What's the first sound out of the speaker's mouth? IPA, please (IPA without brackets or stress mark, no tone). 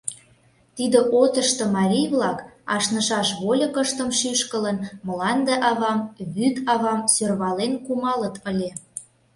t̪